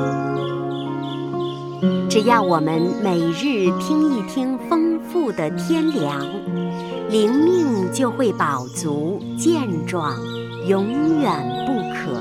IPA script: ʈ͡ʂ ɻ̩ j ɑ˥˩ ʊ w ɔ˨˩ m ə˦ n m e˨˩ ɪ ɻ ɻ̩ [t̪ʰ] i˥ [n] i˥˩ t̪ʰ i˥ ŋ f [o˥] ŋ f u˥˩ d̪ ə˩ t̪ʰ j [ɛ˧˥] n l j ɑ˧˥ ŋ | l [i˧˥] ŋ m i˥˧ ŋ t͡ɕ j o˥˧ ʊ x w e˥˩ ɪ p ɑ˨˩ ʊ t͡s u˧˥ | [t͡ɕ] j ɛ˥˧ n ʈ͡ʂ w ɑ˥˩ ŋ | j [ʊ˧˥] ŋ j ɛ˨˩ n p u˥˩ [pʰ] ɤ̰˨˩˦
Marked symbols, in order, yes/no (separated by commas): yes, no, no, no, yes, yes, yes, no